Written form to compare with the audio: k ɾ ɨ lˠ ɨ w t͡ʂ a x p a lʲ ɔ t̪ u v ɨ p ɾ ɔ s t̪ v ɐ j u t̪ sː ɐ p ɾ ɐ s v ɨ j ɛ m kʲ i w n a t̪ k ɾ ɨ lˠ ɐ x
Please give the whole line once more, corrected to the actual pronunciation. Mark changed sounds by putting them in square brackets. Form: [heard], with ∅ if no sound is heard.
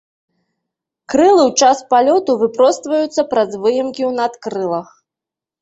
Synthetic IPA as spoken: k ɾ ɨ lˠ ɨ w t͡ʂ a [s] p a lʲ ɔ t̪ u v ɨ p ɾ ɔ s t̪ v ɐ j u t̪ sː ɐ p ɾ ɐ [z] v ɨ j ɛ m kʲ i w n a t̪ k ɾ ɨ lˠ ɐ x